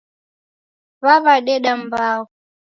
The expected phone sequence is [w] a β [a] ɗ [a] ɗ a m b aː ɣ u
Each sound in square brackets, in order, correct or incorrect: incorrect: β, correct, incorrect: ɛ

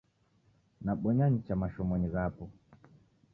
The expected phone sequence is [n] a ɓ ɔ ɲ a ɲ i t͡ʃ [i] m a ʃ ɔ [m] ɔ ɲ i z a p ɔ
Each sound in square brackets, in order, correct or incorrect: correct, incorrect: a, correct

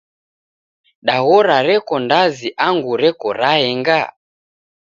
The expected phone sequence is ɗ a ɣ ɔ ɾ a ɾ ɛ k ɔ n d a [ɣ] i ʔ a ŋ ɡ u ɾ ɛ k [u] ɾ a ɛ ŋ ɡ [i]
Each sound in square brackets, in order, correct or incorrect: incorrect: z, incorrect: ɔ, incorrect: a

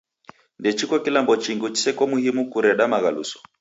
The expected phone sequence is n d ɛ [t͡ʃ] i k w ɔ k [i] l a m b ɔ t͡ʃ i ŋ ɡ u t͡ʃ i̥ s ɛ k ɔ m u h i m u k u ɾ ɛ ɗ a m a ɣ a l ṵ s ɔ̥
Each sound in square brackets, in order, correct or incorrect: correct, correct

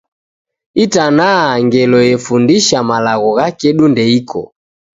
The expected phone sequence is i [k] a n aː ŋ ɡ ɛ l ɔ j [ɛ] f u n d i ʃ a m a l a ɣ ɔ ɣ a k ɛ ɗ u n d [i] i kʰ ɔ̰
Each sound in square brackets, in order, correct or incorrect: incorrect: t, correct, incorrect: ɛ

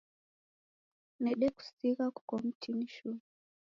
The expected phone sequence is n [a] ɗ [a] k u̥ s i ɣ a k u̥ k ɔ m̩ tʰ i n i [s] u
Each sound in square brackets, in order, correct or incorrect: incorrect: ɛ, incorrect: ɛ, incorrect: ʃ

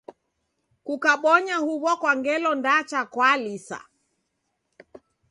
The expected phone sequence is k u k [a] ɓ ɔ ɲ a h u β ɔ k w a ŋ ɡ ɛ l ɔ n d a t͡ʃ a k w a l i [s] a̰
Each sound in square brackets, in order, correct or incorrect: correct, correct

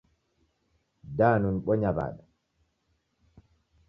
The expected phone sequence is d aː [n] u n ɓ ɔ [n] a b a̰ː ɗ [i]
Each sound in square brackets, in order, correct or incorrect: correct, incorrect: ɲ, incorrect: a

